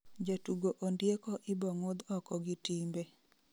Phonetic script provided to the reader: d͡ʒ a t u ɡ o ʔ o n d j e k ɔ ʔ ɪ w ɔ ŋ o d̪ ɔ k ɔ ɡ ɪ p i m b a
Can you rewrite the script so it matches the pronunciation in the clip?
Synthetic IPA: d͡ʒ a t u ɡ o ʔ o n d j e k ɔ ʔ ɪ b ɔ ŋ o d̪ ɔ k ɔ ɡ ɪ t i m b e